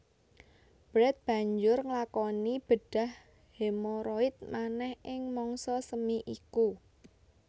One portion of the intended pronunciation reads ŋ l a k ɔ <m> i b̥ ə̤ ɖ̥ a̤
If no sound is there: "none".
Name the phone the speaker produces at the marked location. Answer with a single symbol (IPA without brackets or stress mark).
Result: n